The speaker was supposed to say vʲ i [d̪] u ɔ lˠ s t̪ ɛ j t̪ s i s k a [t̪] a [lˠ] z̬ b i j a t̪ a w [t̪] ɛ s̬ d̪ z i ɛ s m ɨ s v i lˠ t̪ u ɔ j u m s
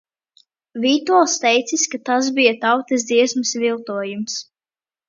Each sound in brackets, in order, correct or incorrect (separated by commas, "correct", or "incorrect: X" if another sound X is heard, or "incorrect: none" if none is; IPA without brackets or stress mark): incorrect: t̪, correct, incorrect: none, correct